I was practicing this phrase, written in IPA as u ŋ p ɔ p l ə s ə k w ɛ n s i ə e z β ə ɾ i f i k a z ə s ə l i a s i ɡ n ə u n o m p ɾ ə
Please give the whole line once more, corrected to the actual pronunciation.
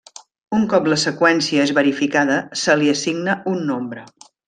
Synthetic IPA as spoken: u ŋ k ɔ p l ə s ə k w ɛ n s i ə e z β ə ɾ i f i k a ð ə s ə l i ə s i ɡ n ə u nː o m b ɾ ə